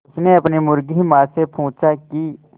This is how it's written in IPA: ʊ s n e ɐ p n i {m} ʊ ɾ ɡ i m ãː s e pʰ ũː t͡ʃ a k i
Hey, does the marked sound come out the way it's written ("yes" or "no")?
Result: yes